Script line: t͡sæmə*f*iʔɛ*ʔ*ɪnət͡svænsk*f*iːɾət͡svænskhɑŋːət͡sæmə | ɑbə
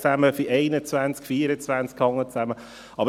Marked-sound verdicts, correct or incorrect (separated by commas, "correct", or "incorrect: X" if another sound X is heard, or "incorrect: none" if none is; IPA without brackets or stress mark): correct, incorrect: none, correct